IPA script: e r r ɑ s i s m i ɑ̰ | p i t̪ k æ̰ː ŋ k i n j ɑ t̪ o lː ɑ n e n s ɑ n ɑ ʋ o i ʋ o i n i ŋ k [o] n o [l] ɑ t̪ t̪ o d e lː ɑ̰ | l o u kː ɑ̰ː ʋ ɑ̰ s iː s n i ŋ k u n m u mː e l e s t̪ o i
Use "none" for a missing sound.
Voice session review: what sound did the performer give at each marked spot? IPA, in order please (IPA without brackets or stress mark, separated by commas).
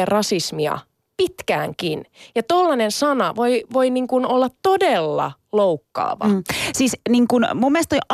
u, lː